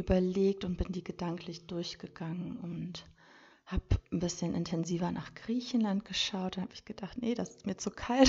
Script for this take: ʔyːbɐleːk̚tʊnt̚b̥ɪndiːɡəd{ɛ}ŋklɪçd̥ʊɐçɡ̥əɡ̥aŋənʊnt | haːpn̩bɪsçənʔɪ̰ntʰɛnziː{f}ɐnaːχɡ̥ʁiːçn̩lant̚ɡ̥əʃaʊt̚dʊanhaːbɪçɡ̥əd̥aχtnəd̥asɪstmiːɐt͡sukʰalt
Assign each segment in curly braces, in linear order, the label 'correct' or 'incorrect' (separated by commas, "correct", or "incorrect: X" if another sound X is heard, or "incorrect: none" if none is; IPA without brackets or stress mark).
incorrect: a, incorrect: v